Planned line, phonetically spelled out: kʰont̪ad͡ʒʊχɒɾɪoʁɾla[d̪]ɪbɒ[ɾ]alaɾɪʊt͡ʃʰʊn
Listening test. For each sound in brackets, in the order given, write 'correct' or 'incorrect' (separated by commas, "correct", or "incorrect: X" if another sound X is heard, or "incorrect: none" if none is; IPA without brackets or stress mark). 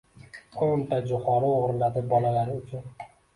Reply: correct, incorrect: l